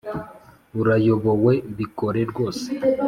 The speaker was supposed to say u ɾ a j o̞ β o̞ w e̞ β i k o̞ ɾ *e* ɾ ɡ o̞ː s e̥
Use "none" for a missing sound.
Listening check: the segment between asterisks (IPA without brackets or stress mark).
e